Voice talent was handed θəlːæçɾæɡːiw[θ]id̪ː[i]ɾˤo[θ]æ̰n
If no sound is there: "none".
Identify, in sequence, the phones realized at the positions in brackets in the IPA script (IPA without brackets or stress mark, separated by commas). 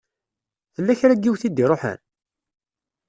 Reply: θ, i, ħ